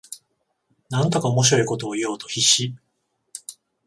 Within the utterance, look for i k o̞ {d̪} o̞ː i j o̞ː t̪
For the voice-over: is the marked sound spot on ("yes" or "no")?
no